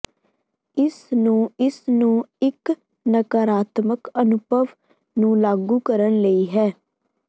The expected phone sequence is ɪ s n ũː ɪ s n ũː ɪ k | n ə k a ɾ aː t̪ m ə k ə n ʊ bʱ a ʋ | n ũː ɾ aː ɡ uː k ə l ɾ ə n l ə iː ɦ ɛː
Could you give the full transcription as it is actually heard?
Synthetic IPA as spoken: ɪ s n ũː ɪ s n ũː ɪ k | n ə k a ɾ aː t̪ m ə k ə n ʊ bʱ ə ʋ | n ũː l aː ɡ uː k ə ɾ ə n l ə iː ɦ ɛː